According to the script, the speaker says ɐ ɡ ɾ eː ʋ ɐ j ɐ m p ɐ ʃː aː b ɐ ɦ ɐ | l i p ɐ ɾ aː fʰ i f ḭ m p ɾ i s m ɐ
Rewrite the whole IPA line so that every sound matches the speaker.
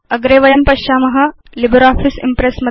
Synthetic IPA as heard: ɐ ɡ ɾ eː ʋ ɐ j ɐ m p ɐ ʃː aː m ɐ ɦ ɐ | l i b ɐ ɾ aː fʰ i s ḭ m p ɾ e s m ɐ